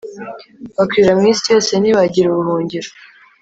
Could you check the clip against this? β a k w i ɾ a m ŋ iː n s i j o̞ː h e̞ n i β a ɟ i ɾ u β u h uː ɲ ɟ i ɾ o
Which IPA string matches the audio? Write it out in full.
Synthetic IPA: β a k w i ɾ a m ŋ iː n s i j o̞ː s e̞ n i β a ɟ i ɾ u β u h uː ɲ ɟ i ɾ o

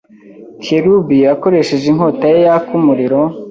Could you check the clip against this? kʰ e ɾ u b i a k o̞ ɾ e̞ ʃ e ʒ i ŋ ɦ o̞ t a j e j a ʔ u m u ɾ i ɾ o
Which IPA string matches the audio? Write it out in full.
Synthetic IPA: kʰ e ɾ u b i a k o̞ ɾ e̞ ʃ e ʒ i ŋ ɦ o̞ t a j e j a k u m u ɾ i ɾ o

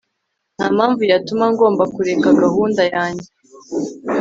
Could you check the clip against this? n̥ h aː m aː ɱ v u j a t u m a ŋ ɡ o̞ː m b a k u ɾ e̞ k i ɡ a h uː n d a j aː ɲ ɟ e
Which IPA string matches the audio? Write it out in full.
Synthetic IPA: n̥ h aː m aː ɱ v u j a t u m a ŋ ɡ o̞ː m b a k u ɾ e̞ k a ɡ a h uː n d a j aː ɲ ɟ e

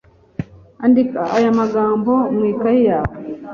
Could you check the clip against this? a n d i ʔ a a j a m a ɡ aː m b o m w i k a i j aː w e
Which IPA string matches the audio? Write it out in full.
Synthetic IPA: a n d i k a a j a m a ɡ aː m b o m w i k a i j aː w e

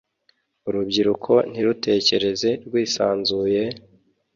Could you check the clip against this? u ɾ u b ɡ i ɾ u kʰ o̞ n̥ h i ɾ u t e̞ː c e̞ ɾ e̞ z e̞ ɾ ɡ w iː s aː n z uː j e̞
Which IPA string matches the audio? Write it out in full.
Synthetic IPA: u ɾ u b ɟ i ɾ u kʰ o̞ n̥ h i ɾ u t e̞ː c e̞ ɾ e̞ z e̞ ɾ ɡ w iː s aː n z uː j e̞

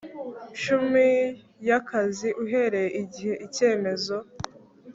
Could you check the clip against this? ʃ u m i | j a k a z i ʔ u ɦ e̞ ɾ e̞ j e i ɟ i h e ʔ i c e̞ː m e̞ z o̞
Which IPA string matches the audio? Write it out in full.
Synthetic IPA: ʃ u m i | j a k a z i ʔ u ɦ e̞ ɾ e̞ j e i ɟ i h e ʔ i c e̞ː m e̞ z o̞

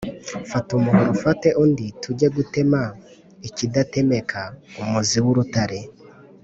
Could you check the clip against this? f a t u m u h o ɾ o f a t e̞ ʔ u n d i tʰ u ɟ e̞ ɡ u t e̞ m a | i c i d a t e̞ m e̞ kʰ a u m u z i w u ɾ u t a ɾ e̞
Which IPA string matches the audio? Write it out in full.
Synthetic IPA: f a t u m u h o ɾ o f a t e̞ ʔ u n d i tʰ u ɟ e̞ ɡ u t e̞ m a | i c i d a t e̞ m e̞ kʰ a u m u z i w u ɾ u t a ɾ e̞

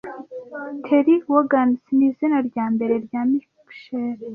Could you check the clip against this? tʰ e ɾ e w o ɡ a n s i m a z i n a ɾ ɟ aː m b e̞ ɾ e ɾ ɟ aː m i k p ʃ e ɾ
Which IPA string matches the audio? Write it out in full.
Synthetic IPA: tʰ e ɾ i w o ɡ a n s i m i z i n a ɾ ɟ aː m b e̞ ɾ e ɾ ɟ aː m i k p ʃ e ɾ

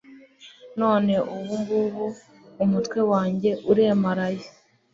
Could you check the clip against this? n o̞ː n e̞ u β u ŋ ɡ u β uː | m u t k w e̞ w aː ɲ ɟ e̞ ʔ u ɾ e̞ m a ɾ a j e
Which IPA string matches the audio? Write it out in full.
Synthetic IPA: n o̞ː n e̞ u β u ŋ ɡ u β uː | m u t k w e̞ w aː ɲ ɟ e̞ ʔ u ɾ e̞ m a ɾ a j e

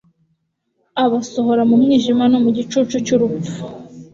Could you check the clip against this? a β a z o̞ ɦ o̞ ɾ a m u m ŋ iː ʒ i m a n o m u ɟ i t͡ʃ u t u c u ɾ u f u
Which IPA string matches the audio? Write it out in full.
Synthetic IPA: a β a s o̞ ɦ o̞ ɾ a m u m ŋ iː ʒ i m a n o m u ɟ i t͡ʃ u t͡ʃ u c u ɾ u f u

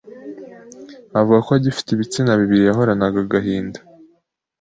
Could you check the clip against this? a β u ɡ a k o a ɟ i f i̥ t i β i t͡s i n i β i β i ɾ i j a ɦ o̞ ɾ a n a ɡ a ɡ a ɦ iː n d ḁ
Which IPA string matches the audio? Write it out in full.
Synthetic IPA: a v u ɡ a k o a ɟ i f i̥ t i β i t͡s i n a β i β i ɾ i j a ɦ o̞ ɾ a n a ɡ a ɡ a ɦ iː n d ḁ

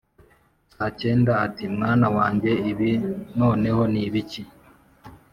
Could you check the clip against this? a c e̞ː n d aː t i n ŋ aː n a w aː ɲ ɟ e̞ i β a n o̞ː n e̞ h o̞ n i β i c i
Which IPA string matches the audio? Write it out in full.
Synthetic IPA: a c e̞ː n d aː t i m ŋ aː n a w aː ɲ ɟ e̞ i β i n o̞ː n e̞ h o̞ n i β i c i

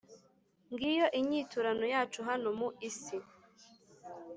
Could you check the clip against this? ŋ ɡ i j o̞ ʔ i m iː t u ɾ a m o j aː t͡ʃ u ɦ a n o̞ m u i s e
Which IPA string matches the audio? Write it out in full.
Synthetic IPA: ŋ ɡ i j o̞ ʔ i ɲ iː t u ɾ a n o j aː t͡ʃ u ɦ a n o̞ m u i s i

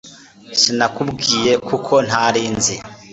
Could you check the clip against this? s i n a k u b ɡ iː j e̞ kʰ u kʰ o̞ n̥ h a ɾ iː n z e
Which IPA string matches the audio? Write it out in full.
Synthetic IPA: s i n a k u b ɡ iː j e̞ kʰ u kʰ o̞ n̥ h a ɾ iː n z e

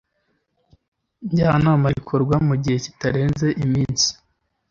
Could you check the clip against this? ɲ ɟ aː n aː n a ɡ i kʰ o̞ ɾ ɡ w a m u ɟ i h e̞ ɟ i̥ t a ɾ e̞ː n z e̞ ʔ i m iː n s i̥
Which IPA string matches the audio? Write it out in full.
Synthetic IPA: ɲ ɟ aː n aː m a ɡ i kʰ o̞ ɾ ɡ w a m u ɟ i h e̞ c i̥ t a ɾ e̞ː n z e̞ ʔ i m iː n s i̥

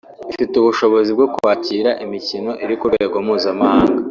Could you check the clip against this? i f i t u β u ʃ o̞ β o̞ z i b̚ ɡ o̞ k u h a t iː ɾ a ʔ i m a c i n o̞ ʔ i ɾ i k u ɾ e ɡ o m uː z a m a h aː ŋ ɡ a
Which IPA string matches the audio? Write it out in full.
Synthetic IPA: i f i t u β u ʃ o̞ β o̞ z i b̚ ɡ o̞ k u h a c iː ɾ a ʔ i m i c i n o̞ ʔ i ɾ i k u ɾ e ɡ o m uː z a m a h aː ŋ ɡ a

